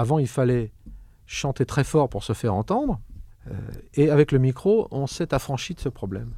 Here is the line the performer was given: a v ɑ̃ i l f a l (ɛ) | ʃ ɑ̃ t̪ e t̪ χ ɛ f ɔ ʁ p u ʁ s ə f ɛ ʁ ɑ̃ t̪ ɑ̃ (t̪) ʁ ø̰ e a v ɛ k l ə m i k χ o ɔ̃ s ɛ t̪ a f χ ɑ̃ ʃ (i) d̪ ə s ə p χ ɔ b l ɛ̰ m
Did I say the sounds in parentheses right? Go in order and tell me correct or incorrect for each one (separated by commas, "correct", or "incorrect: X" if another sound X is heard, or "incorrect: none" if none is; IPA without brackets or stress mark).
correct, incorrect: d̪, correct